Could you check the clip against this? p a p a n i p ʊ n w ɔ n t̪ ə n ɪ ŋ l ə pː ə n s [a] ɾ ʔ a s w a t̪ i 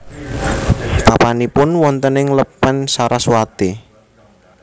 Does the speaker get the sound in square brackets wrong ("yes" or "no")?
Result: no